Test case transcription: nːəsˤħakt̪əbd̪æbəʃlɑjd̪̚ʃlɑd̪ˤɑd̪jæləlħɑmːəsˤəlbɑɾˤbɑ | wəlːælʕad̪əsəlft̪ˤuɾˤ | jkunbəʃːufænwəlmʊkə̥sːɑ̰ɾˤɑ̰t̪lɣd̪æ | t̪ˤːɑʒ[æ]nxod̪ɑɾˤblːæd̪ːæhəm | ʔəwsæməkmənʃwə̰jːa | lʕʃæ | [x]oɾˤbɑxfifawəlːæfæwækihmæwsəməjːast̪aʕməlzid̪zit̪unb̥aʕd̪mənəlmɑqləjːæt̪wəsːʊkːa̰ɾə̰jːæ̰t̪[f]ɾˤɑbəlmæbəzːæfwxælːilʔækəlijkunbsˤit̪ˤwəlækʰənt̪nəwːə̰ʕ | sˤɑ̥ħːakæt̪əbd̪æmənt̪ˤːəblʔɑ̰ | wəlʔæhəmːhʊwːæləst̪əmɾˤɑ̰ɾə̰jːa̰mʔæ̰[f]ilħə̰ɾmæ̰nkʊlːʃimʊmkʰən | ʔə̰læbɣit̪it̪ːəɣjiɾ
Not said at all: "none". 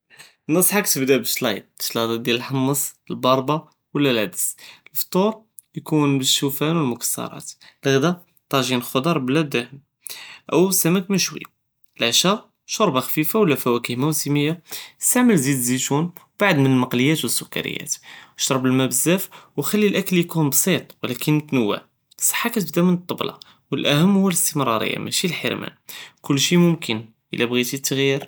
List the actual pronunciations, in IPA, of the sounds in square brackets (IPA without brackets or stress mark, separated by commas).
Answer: i, ʃ, ʃ, ʃ